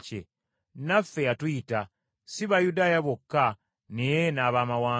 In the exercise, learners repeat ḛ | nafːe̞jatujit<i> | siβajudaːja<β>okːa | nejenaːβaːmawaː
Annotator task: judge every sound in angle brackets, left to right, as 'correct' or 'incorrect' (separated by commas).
incorrect, correct